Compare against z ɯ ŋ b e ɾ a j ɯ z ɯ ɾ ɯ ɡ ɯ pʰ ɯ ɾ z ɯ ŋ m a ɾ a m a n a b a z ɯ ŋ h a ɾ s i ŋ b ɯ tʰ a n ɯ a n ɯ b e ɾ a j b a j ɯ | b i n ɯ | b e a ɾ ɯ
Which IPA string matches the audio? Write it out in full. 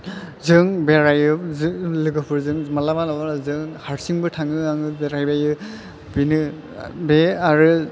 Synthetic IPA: z ɯ ŋ b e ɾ a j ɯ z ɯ l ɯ ɡ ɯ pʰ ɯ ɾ z ɯ ŋ m a l a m a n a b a z ɯ ŋ h a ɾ s i ŋ b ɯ tʰ a ŋ ɯ a ŋ ɯ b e ɾ a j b a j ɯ | b i n ɯ | b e a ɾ ɯ